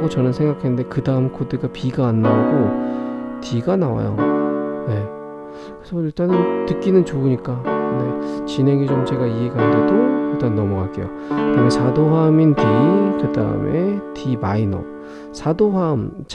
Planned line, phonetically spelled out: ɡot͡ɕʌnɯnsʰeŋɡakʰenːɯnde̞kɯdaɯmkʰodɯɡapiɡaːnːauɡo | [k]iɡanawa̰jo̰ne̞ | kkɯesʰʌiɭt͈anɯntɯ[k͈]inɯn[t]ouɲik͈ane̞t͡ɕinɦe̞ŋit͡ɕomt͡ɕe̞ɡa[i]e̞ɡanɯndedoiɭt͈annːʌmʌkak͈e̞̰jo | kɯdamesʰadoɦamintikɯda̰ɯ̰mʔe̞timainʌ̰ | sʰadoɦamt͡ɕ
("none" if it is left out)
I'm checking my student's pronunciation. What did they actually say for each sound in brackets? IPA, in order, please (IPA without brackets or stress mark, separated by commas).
t, k͈, t͡ɕ, i